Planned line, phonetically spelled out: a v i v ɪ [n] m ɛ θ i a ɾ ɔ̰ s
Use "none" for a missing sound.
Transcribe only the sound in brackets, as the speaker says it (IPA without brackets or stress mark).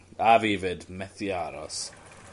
d